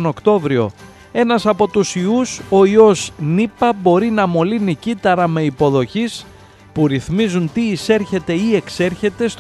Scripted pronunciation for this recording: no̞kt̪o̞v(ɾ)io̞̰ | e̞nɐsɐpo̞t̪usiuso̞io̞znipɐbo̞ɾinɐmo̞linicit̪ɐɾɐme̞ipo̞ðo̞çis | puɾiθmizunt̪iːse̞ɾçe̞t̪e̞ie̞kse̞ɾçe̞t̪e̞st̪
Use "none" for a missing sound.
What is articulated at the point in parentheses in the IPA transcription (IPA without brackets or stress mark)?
ɾ